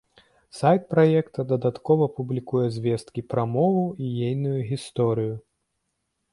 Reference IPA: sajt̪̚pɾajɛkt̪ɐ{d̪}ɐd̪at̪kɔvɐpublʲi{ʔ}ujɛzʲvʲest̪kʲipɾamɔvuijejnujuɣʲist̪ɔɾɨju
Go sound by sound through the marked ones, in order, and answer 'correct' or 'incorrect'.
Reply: correct, incorrect: k

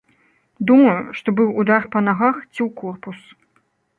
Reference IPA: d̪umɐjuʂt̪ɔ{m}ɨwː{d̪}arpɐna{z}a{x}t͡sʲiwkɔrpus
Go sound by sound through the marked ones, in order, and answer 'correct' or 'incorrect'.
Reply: incorrect: b, correct, incorrect: ɣ, correct

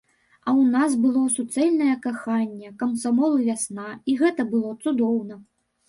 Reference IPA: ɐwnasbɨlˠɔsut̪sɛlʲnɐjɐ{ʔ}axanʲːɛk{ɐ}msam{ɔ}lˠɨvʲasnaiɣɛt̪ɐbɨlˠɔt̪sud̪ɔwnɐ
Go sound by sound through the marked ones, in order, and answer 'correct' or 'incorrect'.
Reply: incorrect: k, correct, correct

